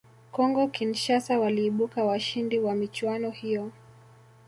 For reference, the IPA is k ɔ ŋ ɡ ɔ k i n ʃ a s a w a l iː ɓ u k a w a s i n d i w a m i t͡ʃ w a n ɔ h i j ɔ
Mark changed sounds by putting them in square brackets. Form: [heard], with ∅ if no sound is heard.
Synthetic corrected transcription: k ɔ ŋ ɡ ɔ k i n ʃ a s a w a l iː ɓ u k a w a [ʃ] i n d i w a m i t͡ʃ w a n ɔ h i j ɔ